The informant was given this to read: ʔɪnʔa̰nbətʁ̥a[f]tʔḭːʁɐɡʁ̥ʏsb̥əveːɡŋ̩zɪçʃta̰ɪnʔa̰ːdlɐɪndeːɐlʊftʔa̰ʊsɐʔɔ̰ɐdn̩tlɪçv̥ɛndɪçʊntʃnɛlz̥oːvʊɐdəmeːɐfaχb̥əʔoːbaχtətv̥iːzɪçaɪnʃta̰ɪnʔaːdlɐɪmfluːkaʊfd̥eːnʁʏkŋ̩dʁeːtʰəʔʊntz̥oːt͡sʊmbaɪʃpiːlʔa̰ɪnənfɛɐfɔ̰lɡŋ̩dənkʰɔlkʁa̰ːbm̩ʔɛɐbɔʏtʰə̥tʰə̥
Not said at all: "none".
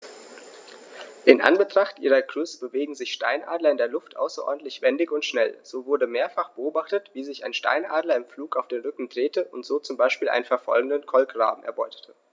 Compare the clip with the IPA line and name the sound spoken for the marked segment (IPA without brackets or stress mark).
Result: χ